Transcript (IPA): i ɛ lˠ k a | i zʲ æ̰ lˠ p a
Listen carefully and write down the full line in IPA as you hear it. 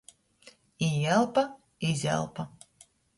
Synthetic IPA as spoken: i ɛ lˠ p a | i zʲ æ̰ lˠ p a